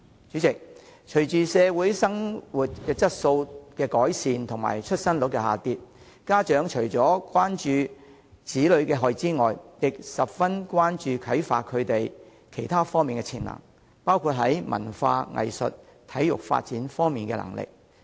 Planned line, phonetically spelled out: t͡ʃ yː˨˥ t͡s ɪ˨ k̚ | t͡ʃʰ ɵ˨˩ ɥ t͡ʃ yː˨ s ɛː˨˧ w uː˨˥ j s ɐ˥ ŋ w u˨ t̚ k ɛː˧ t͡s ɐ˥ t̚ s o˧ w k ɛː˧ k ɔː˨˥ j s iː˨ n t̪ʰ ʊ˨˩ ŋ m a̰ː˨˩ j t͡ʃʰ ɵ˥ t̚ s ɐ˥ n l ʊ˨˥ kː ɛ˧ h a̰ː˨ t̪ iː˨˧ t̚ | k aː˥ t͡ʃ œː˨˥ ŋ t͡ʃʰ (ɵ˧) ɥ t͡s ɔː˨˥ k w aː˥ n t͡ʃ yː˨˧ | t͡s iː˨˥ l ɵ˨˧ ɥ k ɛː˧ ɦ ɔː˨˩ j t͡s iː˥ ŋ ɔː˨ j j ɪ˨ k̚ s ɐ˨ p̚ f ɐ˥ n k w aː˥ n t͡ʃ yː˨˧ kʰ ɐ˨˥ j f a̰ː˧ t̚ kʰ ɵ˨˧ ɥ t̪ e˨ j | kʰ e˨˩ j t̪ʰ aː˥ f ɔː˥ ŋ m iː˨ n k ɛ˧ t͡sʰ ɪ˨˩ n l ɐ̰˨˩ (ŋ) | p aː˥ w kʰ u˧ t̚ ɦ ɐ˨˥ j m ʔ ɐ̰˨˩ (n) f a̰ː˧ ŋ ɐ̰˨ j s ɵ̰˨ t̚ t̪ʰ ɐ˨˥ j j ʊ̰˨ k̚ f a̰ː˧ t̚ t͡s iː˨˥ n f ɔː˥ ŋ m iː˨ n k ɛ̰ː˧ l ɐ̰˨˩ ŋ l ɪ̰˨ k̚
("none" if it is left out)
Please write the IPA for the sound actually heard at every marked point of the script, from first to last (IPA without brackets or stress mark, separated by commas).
ɵ˨˩, ŋ, n